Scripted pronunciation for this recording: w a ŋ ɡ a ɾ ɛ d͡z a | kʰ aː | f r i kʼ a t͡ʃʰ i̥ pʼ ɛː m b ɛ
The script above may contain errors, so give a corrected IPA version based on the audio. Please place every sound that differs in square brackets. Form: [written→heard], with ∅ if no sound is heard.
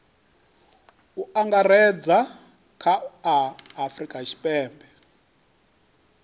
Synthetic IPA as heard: [w→u] a ŋ ɡ a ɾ ɛ d͡z a | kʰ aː | f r i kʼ a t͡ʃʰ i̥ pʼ ɛː m b ɛ